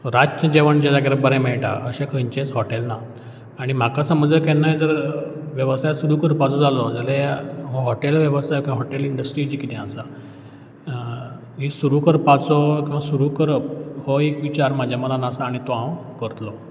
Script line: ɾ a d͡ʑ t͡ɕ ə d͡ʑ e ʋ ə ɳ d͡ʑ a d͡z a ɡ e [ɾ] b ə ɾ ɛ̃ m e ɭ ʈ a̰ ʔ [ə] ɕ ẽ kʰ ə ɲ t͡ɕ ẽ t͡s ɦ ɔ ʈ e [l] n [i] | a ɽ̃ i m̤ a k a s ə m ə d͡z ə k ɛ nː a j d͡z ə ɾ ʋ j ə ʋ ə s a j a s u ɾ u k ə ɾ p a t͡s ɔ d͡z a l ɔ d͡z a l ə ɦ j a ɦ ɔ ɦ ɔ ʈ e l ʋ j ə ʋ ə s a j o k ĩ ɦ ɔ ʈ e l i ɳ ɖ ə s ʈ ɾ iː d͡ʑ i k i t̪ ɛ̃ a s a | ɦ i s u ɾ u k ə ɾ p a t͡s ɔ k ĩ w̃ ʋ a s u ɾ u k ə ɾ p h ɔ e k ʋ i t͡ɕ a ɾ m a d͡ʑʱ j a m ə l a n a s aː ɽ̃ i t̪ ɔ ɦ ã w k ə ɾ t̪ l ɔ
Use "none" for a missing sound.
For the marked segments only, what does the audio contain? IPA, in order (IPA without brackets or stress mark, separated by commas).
ɾ, ə, l, a